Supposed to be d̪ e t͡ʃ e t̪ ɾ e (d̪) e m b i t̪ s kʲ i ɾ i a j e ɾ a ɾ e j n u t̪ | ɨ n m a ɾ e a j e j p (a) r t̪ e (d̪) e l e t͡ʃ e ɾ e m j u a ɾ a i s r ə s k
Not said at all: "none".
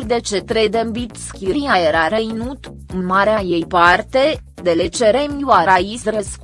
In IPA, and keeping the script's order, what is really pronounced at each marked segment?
d̪, a, d̪

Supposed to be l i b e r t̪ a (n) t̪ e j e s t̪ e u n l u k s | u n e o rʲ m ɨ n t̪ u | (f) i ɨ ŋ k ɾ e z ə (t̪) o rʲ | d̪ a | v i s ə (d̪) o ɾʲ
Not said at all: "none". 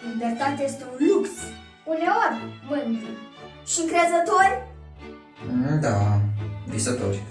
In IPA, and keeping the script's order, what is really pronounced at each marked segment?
none, ʃ, t̪, t̪

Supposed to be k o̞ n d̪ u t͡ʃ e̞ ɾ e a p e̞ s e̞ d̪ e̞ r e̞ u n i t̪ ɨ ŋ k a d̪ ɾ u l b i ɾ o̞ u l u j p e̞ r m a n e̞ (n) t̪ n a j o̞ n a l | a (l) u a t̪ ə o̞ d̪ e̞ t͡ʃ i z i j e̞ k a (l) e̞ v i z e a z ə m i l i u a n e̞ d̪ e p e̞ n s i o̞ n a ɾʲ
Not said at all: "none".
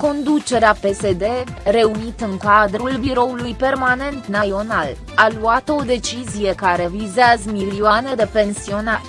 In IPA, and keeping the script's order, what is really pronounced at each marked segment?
n, l, ɾ

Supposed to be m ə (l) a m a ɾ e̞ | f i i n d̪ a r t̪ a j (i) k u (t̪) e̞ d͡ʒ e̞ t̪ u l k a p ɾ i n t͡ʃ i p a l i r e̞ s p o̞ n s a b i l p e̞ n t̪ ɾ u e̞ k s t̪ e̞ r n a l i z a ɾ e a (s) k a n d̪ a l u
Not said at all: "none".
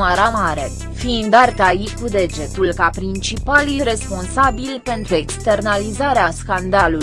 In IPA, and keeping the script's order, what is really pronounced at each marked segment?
ɾ, i, d̪, s

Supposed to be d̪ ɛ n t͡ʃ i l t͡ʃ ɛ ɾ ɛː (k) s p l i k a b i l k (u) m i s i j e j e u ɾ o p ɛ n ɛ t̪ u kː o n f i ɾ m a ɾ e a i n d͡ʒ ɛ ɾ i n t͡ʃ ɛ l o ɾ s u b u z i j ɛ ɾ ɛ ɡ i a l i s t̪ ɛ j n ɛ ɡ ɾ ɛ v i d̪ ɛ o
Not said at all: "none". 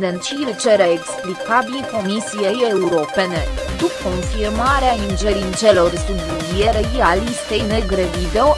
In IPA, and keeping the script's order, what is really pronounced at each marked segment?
k, o

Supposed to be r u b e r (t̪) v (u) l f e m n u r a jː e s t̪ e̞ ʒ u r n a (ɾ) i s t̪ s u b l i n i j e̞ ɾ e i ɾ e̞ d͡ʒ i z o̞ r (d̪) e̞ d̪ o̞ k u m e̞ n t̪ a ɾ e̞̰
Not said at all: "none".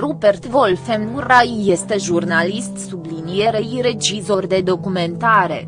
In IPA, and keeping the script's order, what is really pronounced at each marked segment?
t̪, o, l, d̪

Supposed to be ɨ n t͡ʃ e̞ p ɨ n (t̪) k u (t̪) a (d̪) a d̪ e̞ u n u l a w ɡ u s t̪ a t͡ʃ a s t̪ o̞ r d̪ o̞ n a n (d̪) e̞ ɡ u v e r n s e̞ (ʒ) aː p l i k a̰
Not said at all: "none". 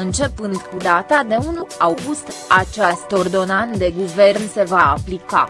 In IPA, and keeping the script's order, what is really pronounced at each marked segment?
d̪, d̪, t̪, d̪, v

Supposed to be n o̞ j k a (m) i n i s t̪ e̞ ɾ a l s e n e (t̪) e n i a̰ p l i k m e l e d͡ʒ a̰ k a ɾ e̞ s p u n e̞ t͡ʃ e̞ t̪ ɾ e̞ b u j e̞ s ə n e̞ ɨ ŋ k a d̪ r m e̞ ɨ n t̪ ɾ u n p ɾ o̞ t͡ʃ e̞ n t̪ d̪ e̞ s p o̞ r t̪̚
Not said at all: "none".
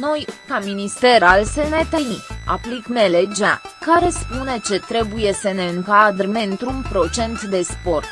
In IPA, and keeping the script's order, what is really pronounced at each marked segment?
m, t̪

